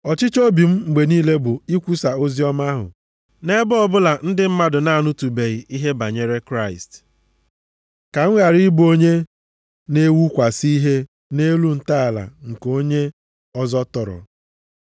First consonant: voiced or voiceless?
voiceless